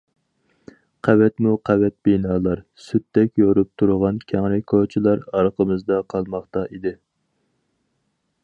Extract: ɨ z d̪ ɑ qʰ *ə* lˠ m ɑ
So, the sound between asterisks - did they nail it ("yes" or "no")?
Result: no